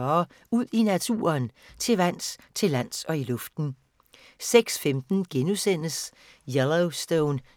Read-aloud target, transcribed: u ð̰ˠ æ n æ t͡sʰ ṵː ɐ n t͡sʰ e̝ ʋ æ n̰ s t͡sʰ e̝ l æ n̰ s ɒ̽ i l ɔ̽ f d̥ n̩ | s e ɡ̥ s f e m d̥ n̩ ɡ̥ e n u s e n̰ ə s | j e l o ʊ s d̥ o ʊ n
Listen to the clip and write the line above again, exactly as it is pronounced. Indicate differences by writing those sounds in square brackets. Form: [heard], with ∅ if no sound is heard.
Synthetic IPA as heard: u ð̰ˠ [i] n æ t͡sʰ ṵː ɐ n t͡sʰ e̝ ʋ æ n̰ s t͡sʰ e̝ l æ n̰ s ɒ̽ i l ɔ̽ f d̥ n̩ | s e ɡ̥ s f e m d̥ n̩ ɡ̥ e n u s e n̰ ə s | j e l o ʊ s d̥ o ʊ n

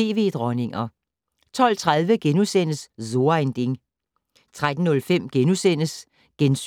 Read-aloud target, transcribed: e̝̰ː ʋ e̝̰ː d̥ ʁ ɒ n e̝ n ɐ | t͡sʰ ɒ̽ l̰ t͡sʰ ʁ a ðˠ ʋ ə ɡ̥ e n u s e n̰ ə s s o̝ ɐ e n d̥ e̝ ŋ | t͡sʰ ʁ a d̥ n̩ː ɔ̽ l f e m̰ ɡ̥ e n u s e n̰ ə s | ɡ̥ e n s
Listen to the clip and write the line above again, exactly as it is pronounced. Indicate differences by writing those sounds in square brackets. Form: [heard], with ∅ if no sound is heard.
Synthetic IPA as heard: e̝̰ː ʋ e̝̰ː d̥ ʁ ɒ n e̝ [ŋ] ɐ | t͡sʰ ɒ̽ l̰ t͡sʰ ʁ a ðˠ ʋ ə ɡ̥ e n u s e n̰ ə s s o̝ ɐ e n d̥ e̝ ŋ | t͡sʰ ʁ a d̥ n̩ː ɔ̽ l f e m̰ ɡ̥ e n u s e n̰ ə s | ɡ̥ e n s

